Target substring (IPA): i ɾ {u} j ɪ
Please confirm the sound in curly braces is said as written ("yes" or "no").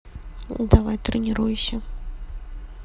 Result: yes